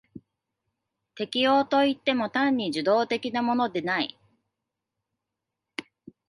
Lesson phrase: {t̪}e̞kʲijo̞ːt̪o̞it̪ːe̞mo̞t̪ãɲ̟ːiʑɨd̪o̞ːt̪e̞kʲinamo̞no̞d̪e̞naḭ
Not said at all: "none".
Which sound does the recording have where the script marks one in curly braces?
t̪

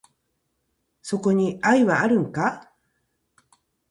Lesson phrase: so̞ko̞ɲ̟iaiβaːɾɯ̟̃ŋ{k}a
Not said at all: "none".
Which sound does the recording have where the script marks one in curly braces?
k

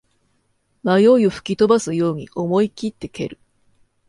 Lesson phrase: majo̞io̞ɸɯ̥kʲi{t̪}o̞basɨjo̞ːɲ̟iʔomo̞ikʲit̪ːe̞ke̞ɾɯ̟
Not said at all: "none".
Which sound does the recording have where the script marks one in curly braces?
t̪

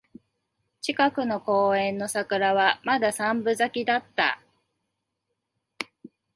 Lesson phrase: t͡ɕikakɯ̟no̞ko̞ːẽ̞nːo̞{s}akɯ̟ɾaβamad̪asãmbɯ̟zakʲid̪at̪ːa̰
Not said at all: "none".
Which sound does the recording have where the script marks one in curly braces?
s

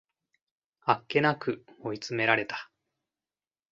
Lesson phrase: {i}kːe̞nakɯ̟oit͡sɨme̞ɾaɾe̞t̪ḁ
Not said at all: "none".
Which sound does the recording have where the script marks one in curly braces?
a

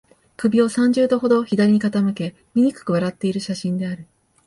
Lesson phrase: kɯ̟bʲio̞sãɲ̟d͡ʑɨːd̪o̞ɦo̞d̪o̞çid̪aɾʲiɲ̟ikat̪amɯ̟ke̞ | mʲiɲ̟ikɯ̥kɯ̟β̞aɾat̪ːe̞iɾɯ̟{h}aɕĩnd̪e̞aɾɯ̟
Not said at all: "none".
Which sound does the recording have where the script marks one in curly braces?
ɕ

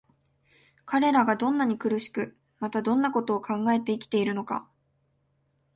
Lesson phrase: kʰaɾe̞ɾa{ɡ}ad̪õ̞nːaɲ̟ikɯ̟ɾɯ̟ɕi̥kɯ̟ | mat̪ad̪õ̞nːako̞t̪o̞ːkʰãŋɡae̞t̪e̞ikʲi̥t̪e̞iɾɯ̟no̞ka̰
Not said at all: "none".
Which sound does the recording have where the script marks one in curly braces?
ɡ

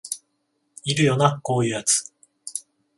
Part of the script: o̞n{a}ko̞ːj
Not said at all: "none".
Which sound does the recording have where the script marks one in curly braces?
a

